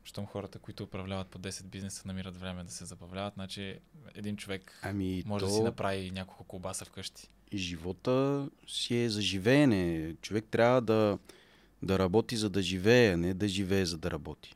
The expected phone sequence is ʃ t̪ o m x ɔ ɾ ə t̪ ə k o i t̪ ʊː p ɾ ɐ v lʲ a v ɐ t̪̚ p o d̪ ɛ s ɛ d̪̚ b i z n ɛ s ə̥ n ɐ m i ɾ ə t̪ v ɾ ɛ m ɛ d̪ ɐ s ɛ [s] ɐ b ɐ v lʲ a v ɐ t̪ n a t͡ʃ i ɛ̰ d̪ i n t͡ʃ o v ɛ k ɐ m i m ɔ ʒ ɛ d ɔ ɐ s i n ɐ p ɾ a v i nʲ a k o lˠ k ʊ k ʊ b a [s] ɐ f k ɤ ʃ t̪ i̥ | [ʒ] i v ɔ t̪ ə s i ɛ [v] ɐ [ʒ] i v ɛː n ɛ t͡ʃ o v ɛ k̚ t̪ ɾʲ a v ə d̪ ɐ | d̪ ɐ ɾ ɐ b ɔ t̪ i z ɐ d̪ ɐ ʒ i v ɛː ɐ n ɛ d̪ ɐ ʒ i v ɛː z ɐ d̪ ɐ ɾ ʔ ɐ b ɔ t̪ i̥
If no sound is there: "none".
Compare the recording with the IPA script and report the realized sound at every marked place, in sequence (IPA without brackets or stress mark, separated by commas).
z, s, ʒ, z, ʒ